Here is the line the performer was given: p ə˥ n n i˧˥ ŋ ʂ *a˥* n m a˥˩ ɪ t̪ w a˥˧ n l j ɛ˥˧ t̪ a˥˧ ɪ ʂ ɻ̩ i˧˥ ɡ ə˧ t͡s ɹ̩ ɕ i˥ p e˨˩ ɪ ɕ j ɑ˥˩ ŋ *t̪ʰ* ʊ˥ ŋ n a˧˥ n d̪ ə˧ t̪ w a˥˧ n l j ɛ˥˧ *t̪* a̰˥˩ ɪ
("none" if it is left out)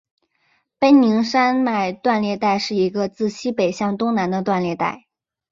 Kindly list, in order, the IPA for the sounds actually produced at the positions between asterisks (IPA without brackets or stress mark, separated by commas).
a˥, t̪, t̪